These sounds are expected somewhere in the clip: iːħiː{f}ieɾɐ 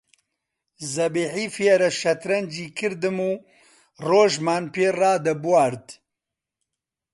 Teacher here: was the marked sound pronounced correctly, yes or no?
yes